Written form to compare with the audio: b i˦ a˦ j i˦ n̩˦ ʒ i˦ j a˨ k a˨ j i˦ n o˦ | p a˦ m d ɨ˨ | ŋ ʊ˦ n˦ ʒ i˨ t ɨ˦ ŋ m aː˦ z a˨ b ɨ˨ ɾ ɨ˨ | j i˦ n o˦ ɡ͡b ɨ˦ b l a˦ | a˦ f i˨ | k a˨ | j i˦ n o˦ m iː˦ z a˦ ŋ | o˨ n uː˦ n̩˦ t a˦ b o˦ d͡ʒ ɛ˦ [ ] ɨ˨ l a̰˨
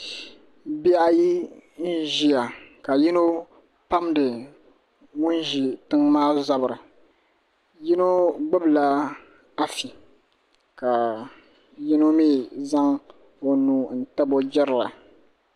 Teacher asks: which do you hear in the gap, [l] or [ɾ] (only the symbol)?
ɾ